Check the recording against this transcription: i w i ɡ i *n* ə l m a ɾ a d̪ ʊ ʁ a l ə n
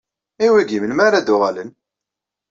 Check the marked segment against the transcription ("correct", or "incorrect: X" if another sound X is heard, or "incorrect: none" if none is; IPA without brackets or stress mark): incorrect: m